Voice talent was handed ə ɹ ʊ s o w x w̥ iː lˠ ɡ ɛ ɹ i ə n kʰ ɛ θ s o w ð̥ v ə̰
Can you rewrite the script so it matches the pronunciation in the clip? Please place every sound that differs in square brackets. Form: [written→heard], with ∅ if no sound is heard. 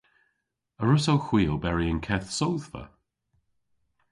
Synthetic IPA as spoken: ə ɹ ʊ s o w x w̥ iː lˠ [ɡ→b] ɛ ɹ i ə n kʰ ɛ θ s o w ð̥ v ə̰